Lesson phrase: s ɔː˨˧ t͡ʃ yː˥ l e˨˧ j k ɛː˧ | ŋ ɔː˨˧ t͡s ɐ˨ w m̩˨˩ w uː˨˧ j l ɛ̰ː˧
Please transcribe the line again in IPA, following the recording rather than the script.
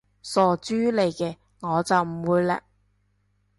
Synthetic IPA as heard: s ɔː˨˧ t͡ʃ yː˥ l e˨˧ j k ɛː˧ | ŋ ɔː˨˧ t͡s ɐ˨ w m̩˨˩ w uː˨˧ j l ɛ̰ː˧